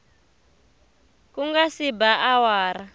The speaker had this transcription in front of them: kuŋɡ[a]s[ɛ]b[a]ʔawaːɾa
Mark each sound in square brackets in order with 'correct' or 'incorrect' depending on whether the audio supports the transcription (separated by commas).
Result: correct, incorrect, correct